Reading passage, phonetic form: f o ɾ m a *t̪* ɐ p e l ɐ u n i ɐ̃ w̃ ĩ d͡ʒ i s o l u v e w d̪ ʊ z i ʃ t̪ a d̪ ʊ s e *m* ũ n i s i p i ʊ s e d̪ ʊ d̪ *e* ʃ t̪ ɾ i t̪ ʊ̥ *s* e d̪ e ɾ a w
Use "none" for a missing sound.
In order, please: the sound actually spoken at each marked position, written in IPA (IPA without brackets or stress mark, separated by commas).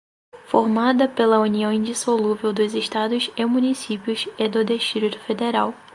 d̪, m, e, f